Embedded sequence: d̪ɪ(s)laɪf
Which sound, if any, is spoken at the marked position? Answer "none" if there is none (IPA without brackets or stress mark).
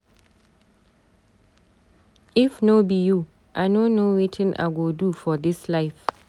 s